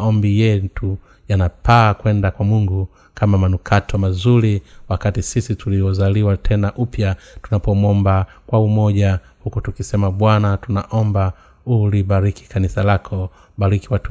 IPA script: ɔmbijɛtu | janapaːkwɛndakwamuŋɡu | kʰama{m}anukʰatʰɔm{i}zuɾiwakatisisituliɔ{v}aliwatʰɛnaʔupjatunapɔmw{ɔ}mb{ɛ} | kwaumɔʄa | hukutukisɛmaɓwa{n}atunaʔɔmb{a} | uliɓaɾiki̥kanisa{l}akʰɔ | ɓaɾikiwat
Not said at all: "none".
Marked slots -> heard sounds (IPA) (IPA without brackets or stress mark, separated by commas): m, a, z, ɔ, a, n, a, l